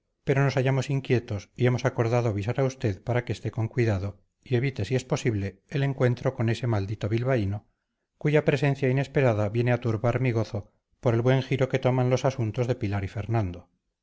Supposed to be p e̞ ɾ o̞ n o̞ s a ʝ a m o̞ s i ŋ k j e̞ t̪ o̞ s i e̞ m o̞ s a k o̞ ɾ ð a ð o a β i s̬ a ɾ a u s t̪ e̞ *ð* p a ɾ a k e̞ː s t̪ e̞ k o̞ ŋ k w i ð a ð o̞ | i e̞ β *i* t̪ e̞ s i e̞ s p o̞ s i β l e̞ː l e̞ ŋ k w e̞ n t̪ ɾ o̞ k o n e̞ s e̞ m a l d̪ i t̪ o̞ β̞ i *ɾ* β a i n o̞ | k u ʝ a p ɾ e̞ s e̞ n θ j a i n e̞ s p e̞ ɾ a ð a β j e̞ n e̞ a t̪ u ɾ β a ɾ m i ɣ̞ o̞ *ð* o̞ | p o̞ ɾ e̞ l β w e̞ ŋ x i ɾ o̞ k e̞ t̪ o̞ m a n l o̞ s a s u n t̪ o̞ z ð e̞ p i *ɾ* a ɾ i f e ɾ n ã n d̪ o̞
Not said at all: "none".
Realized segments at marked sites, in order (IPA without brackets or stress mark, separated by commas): ð, i, l, θ, l